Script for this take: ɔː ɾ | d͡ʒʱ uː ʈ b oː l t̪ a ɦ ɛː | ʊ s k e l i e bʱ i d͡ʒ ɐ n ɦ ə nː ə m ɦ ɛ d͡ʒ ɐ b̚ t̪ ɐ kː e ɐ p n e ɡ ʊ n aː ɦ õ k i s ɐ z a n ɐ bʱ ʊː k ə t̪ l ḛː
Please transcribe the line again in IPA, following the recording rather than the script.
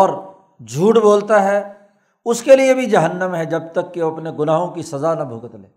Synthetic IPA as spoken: ɔː ɾ | d͡ʒʱ uː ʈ b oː l t̪ a ɦ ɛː | ʊ s k e l i e bʱ i d͡ʒ ɐ ɦ ə nː ə m ɦ ɛ d͡ʒ ɐ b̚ t̪ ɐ kː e ɐ p n e ɡ ʊ n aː ɦ õ k i s ɐ z a n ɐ bʱ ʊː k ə t̪ l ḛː